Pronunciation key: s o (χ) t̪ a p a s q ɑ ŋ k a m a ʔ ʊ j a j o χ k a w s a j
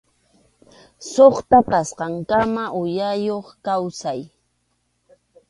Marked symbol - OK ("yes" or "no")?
yes